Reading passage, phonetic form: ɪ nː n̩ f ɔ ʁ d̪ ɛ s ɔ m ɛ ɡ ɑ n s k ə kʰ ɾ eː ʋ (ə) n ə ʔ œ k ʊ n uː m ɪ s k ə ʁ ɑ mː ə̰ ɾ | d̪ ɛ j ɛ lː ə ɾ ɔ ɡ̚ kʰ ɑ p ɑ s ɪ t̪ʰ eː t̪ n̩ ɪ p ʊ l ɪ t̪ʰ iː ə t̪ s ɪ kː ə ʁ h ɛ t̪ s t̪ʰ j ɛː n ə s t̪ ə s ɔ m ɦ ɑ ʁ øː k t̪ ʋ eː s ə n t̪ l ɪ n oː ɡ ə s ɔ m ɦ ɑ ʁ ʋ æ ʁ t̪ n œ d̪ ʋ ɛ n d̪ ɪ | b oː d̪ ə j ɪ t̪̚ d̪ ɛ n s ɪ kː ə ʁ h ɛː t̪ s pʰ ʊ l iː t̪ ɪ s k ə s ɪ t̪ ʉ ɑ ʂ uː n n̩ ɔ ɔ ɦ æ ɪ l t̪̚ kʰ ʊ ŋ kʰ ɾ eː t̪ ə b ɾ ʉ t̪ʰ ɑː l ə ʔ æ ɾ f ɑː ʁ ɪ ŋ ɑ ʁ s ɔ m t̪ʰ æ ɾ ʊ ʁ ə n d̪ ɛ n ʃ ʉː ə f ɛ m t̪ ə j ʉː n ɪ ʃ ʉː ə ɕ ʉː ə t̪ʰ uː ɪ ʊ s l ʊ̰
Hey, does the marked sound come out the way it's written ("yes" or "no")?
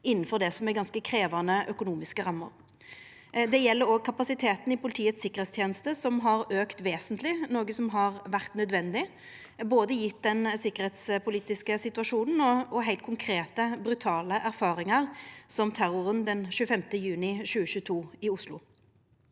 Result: no